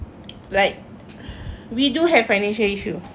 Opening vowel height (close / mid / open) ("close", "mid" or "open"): open